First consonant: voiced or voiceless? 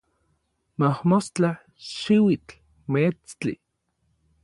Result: voiced